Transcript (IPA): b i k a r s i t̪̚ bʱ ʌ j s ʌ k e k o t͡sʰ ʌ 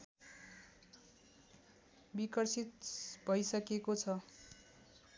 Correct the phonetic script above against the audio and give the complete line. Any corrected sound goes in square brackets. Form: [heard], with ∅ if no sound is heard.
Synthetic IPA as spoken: b i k [ʌ] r s i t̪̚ bʱ ʌ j s ʌ k e k o t͡sʰ ʌ

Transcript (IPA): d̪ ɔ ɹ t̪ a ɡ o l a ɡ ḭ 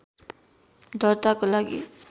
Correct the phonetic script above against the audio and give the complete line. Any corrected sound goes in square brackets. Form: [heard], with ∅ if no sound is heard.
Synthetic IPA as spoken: d̪ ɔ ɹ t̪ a [k] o l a ɡ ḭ

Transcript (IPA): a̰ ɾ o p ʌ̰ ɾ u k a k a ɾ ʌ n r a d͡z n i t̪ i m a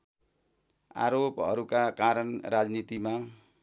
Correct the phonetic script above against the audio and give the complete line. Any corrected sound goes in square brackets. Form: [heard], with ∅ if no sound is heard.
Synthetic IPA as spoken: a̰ ɾ o p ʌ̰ ɾ u k a k a ɾ ʌ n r a d͡z n i t̪ i m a

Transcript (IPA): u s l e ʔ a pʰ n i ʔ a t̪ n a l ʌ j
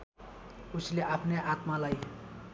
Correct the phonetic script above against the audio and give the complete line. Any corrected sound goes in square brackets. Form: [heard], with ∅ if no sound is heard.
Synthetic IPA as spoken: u s l e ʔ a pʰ n [e] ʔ a t̪ [m] a l [a] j

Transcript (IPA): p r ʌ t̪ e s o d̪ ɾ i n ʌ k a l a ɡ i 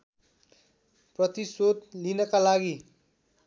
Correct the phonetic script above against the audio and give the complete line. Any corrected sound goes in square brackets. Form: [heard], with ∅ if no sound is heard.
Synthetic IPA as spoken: p r ʌ t̪ [i] s o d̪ [l] i n ʌ k a l a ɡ i

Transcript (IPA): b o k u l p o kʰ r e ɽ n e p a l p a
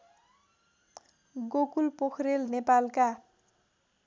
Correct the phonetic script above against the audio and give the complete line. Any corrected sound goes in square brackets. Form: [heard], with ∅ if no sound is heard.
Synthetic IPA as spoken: [ɡ] o k u l p o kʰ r e [l] n e p a l [k] a

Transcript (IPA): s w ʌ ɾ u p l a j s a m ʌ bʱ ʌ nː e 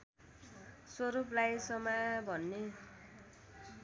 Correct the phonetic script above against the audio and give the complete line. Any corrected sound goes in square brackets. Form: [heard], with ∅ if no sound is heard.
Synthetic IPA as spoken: s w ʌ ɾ u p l a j s [ʌ] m [a] bʱ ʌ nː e

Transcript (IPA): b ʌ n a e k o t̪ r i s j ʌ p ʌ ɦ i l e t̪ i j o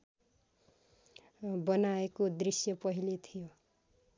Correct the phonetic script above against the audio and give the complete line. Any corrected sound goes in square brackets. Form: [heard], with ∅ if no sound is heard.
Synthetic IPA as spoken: b ʌ n a e k o [d̪] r i s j ʌ p ʌ ɦ i l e [t̪ʰ] i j o

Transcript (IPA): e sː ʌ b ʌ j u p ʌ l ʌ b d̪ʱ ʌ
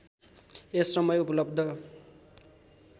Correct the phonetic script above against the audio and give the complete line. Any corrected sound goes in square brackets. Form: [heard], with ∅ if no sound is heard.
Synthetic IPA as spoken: e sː ʌ [m] ʌ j u p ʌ l ʌ b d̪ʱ ʌ

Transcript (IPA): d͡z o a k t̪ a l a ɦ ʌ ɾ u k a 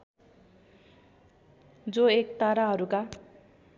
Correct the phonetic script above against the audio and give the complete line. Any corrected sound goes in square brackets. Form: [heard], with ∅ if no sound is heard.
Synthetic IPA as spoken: d͡z o [e] k t̪ a [ɾ] a ɦ ʌ ɾ u k a

